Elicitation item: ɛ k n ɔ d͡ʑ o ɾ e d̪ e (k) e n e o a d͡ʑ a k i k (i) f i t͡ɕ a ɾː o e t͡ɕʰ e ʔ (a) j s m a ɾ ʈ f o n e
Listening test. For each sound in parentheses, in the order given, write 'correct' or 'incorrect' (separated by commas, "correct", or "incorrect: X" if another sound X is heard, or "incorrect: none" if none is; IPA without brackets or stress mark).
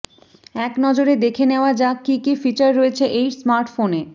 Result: incorrect: kʰ, correct, incorrect: e